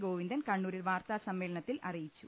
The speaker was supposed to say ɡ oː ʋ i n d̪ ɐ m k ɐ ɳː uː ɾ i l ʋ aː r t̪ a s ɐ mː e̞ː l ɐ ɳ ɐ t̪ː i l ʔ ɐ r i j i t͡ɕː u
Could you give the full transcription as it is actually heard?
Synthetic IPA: ɡ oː ʋ i n d̪ ɐ n k ɐ ɳː uː ɾ i l ʋ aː r t̪ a s ɐ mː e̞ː l ɐ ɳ ɐ t̪ː i l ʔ ɐ r i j i t͡ɕː u